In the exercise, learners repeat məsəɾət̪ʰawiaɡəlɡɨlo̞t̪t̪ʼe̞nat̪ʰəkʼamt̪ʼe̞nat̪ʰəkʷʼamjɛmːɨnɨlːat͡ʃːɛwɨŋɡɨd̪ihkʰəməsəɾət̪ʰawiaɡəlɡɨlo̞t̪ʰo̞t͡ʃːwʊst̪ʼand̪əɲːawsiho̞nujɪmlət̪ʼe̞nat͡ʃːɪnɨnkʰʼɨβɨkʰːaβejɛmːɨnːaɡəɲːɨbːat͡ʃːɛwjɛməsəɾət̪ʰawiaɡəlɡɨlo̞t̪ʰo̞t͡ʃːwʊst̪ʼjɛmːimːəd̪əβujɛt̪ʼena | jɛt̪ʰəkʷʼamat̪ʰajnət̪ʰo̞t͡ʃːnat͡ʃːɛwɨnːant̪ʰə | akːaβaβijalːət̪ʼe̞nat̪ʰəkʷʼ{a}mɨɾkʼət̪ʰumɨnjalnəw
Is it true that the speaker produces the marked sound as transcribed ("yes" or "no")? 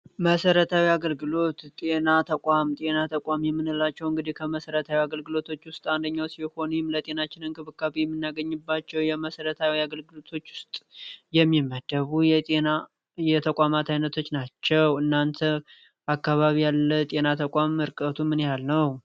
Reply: yes